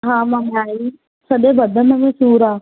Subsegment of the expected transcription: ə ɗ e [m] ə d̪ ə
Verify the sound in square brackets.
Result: incorrect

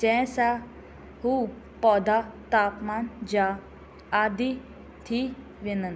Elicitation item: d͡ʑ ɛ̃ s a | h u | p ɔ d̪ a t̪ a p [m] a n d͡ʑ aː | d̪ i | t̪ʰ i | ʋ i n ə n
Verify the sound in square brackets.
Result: correct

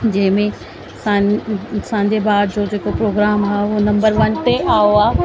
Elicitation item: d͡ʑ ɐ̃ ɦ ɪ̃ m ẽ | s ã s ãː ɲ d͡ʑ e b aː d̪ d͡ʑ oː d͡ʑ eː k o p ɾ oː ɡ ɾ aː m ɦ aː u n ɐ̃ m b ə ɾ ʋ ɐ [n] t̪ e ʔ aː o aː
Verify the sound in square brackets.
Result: correct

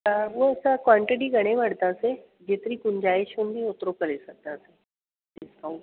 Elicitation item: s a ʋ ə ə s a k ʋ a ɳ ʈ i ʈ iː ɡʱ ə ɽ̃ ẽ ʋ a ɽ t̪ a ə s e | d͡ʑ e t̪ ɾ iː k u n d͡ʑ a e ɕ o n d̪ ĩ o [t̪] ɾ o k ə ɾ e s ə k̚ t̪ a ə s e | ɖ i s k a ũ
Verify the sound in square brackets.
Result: correct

